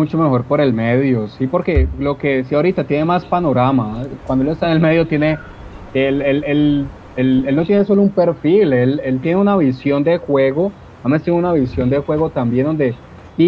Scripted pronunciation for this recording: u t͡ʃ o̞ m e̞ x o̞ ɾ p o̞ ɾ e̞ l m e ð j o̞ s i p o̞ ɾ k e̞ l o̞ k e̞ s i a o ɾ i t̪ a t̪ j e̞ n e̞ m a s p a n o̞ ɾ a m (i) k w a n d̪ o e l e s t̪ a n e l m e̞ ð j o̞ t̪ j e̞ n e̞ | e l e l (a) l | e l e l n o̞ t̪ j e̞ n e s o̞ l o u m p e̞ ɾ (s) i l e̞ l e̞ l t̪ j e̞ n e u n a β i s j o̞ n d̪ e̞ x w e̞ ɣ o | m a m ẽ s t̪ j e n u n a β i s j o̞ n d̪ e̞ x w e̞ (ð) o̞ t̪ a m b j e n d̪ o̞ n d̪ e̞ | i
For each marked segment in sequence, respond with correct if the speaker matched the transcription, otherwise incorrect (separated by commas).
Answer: incorrect, incorrect, incorrect, incorrect